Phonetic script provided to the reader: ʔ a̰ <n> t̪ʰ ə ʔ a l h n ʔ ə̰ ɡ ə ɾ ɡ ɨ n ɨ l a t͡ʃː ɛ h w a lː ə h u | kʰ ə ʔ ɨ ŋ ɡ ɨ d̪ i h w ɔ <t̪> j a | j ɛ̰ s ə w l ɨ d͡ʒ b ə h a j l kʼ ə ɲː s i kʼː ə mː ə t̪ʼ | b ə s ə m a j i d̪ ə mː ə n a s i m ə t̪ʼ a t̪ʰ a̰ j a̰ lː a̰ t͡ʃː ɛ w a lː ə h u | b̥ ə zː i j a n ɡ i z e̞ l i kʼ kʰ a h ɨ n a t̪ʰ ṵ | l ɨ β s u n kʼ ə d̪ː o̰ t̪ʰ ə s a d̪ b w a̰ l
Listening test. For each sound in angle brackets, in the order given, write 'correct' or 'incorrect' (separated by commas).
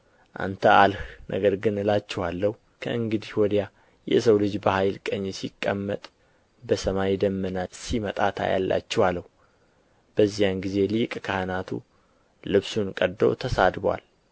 correct, incorrect